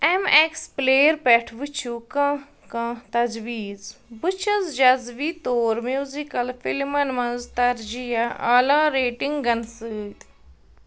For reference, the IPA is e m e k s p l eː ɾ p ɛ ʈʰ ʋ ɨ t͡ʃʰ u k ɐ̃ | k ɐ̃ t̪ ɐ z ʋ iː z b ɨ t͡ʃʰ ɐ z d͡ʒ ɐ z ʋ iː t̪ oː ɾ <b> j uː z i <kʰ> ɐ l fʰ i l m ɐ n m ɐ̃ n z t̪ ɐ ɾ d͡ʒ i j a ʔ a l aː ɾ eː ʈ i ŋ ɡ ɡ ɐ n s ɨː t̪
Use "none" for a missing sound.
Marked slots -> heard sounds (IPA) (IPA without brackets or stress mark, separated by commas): m, k